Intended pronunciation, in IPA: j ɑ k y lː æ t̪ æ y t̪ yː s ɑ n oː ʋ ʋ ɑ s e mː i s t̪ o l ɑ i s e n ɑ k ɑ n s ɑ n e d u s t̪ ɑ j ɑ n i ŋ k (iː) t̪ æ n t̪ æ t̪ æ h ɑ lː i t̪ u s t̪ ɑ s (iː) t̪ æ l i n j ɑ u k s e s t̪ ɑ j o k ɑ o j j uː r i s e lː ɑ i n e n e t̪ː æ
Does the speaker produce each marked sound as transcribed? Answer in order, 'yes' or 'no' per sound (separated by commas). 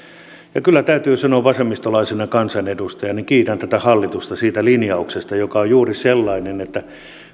yes, yes